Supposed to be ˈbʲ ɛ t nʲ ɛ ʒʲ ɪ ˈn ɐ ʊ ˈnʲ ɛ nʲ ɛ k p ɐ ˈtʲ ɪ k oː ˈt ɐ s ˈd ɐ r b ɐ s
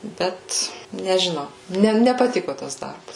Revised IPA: ˈbʲ ɛ t nʲ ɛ ʒʲ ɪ ˈn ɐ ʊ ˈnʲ ɛ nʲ ɛ p ɐ ˈtʲ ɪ k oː ˈt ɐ s ˈd ɐ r b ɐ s

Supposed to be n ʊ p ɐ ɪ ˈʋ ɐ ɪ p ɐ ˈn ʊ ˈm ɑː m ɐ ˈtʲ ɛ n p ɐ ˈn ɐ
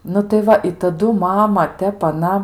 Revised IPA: n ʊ t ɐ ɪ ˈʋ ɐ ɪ t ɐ ˈd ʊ ˈm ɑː m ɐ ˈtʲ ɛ p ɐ ˈn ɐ

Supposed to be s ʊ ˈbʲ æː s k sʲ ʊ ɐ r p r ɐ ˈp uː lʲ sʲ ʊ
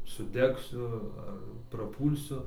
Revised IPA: s ʊ ˈdʲ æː k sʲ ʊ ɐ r p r ɐ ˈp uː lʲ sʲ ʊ

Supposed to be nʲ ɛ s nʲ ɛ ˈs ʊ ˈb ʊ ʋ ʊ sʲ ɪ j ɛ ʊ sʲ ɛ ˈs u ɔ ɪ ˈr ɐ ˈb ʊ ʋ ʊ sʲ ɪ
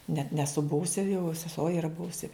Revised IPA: nʲ ɛ t nʲ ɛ ˈs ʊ ˈb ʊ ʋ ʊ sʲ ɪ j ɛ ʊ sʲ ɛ ˈs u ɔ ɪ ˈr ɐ ˈb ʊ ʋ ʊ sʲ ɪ

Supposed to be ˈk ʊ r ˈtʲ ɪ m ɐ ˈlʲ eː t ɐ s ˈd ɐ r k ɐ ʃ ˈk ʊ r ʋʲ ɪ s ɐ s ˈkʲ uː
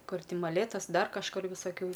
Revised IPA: ˈk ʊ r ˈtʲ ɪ m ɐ ˈlʲ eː t ɐ s ˈd ɐ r k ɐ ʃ ˈk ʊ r ʋʲ ɪ s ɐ ˈkʲ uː

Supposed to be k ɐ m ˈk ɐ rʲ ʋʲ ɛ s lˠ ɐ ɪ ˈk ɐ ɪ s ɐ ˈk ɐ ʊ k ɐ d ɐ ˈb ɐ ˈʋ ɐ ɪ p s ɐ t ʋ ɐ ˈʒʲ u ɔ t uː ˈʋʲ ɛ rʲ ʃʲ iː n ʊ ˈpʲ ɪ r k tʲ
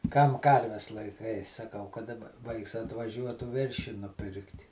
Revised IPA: k ɐ m ˈk ɐ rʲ ʋʲ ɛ s lˠ ɐ ɪ ˈk ɐ ɪ s ɐ ˈk ɐ ʊ k ɐ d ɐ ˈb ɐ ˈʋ ɐ ɪ k s ɐ t ʋ ɐ ˈʒʲ u ɔ t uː ˈʋʲ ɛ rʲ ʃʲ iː n ʊ ˈpʲ ɪ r k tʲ

